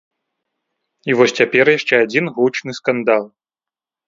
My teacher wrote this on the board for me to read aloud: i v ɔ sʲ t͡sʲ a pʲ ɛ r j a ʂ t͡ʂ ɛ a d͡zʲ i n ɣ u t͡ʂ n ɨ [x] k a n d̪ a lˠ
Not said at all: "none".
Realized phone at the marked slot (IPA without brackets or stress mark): s